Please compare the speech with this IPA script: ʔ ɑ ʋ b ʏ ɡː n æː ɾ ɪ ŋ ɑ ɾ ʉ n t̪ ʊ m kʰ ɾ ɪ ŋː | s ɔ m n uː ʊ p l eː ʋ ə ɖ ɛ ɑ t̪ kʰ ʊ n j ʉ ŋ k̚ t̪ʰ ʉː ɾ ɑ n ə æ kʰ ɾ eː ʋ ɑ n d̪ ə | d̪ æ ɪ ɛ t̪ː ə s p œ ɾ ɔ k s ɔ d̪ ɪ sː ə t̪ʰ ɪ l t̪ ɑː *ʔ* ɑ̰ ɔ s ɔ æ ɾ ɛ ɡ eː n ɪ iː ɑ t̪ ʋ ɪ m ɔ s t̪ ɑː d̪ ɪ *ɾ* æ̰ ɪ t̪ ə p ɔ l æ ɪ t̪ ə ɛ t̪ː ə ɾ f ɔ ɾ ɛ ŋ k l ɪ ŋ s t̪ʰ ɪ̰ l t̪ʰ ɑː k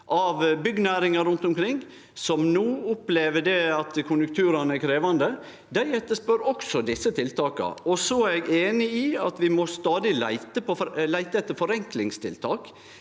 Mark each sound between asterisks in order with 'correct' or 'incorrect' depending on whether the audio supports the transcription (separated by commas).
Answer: incorrect, incorrect